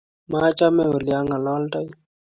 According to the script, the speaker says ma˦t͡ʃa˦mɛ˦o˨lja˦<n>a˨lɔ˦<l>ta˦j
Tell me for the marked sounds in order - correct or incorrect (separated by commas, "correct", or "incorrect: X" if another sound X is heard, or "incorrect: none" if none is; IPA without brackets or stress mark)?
incorrect: ŋ, correct